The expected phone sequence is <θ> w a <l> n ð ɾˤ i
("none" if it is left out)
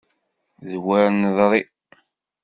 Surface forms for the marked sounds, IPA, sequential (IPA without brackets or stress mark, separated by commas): ð, ɾ